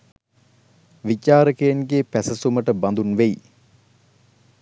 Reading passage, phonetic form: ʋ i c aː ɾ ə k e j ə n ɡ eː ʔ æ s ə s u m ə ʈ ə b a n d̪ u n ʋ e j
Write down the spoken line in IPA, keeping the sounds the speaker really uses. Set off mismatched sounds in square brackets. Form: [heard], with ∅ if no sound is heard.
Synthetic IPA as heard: ʋ i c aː ɾ ə k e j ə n ɡ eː [p] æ s ə s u m ə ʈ ə b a n d̪ u n ʋ e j